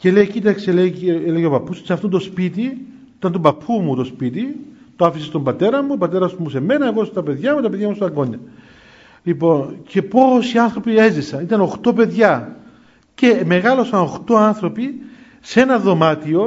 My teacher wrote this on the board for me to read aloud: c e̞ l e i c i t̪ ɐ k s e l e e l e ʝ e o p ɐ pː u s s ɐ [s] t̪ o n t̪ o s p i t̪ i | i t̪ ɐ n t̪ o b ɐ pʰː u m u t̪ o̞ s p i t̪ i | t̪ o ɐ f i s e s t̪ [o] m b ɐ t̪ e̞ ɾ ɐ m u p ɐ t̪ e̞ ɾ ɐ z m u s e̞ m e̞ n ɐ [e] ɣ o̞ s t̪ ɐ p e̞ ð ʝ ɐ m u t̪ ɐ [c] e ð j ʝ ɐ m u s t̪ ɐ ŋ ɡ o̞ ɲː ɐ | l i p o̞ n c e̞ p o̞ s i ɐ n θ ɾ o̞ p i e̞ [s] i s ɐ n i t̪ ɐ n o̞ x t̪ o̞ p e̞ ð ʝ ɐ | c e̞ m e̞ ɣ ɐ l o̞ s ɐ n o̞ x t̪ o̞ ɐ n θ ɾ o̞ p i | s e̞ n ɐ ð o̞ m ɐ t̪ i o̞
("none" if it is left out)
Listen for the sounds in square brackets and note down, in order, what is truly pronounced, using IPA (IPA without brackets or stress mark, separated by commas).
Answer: f, o, e, p, z